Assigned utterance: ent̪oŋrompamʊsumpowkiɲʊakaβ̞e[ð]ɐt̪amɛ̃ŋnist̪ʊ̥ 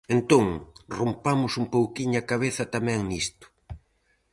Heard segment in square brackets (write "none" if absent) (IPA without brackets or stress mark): θ